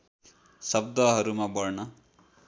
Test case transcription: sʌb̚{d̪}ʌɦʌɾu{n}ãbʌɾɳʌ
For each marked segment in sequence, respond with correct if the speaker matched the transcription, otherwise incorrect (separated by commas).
correct, incorrect